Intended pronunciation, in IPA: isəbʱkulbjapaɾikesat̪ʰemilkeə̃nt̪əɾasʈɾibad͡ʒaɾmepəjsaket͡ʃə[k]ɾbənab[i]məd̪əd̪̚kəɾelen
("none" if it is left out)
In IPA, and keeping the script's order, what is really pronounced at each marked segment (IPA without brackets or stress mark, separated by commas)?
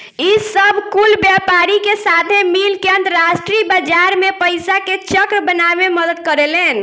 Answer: k, e